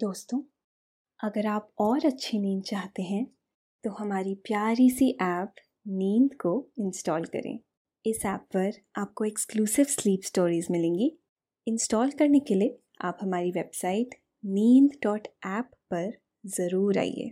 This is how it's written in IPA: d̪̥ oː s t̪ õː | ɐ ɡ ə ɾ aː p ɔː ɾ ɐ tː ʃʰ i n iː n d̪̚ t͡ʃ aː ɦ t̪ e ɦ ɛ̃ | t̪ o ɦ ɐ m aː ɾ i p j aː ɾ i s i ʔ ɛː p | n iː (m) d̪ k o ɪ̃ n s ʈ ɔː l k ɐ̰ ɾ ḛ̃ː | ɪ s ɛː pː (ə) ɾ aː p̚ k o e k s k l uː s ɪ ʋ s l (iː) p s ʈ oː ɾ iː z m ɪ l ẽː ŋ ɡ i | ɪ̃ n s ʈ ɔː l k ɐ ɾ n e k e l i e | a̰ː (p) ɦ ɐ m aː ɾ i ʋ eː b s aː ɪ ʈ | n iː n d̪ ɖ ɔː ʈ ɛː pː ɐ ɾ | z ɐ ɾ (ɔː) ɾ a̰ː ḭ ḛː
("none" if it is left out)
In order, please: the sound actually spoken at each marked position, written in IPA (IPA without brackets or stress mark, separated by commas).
n, ɐ, iː, p, uː